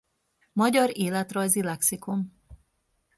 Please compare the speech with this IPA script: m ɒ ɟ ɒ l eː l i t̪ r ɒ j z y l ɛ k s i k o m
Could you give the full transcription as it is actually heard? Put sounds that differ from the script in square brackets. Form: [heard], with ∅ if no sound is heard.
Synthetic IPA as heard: m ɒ ɟ ɒ [ɾ] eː l [ɛ] t̪ r ɒ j z [i] l ɛ k s i k o m